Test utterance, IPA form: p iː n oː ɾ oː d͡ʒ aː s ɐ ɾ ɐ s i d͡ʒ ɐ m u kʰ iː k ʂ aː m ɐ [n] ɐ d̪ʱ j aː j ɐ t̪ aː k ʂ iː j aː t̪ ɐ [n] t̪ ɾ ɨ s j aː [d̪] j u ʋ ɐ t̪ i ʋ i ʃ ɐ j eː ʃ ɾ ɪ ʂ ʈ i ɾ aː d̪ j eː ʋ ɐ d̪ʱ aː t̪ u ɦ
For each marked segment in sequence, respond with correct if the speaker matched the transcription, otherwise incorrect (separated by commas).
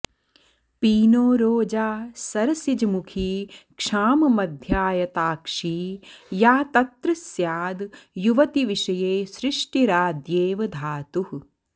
incorrect, incorrect, correct